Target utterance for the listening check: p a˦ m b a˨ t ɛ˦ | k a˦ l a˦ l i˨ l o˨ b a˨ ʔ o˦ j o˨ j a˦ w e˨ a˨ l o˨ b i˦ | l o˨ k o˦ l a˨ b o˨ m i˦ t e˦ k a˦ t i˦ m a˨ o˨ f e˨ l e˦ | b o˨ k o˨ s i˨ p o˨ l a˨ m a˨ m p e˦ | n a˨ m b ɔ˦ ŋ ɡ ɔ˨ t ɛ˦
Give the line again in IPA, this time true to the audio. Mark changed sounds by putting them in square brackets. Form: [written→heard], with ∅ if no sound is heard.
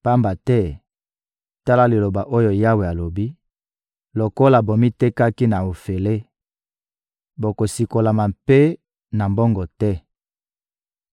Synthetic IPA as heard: p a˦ m b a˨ t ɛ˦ | [k→t] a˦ l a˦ l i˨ l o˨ b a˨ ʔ o˦ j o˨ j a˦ w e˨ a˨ l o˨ b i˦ | l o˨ k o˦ l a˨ b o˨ m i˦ t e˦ k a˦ [t→k] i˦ [m→n] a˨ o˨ f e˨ l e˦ | b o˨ k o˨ s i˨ [p→k] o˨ l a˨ m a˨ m p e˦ | n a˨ m b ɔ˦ ŋ ɡ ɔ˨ t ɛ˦